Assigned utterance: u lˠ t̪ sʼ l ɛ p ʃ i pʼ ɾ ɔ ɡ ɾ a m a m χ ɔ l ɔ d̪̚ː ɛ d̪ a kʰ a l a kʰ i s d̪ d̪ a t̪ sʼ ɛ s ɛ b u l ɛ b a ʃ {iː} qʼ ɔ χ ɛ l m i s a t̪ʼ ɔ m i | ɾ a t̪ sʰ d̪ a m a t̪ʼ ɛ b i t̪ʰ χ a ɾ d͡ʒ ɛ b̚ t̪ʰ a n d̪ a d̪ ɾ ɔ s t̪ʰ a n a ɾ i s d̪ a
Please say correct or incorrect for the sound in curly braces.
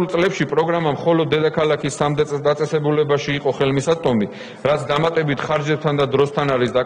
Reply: correct